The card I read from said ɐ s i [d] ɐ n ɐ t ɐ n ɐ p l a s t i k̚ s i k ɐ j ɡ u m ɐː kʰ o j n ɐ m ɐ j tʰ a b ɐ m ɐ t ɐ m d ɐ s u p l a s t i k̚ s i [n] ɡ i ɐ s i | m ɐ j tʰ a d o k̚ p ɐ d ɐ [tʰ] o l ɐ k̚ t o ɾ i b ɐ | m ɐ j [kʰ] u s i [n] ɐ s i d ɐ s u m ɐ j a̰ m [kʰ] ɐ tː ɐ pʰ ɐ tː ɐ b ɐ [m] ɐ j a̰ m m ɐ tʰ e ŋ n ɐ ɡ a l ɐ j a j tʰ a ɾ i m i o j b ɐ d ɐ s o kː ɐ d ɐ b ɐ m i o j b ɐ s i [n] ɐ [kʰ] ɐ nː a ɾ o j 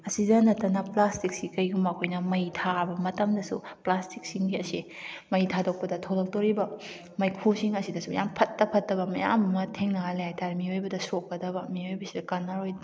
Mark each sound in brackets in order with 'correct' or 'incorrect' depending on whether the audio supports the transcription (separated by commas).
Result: correct, incorrect, correct, correct, incorrect, incorrect, correct, incorrect, incorrect